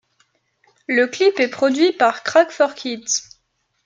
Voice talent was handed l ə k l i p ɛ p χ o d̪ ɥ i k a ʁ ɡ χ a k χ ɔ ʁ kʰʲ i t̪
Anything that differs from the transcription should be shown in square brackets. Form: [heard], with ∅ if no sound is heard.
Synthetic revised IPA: l ə k l i p ɛ p χ [ɔ] d̪ ɥ i [p] a ʁ [k] χ a k [f] ɔ ʁ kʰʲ i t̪